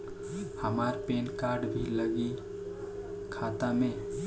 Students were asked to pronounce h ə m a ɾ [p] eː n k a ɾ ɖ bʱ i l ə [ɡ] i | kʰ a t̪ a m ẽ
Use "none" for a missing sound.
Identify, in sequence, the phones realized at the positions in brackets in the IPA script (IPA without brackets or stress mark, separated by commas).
p, ɡ